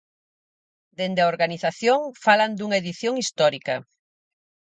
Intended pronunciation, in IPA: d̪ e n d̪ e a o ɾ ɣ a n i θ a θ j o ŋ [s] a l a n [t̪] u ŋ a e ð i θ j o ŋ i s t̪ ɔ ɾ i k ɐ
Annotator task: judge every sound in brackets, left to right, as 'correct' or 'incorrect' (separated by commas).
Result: incorrect, incorrect